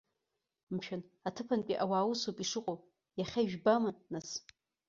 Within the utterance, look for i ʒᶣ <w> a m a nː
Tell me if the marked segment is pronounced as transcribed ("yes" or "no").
no